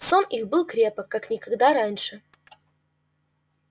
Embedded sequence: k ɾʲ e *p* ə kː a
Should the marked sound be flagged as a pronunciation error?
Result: no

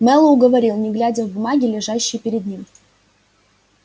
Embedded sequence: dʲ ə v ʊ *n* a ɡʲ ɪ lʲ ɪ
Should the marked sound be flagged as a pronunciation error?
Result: yes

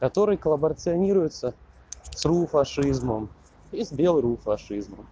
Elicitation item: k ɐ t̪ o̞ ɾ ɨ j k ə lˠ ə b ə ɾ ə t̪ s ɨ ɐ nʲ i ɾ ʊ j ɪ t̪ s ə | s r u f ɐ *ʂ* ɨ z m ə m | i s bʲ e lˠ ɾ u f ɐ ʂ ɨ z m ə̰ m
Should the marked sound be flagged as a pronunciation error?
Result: no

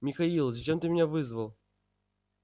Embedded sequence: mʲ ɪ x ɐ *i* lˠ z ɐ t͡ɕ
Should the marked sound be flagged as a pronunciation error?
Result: no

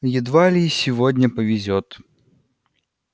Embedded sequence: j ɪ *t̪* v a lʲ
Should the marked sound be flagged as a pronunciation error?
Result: yes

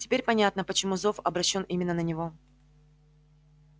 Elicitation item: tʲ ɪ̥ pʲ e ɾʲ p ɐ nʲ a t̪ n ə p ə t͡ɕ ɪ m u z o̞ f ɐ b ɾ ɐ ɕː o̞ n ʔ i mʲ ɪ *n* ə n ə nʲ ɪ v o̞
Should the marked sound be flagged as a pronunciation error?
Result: yes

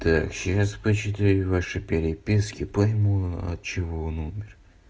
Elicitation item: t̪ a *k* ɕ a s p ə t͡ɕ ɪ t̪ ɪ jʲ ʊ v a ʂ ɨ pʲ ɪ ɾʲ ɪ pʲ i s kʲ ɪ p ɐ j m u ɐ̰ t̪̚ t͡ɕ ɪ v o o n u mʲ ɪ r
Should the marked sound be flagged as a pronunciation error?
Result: no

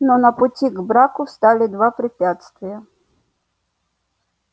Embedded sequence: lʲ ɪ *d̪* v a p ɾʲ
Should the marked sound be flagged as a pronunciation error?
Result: no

